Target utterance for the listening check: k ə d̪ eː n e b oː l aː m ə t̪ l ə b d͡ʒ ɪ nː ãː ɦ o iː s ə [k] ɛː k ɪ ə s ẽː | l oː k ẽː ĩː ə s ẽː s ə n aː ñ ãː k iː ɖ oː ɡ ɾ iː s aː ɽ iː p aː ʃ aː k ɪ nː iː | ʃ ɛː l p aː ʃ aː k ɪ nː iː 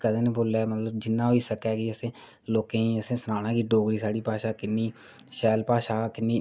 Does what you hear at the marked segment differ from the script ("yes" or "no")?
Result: no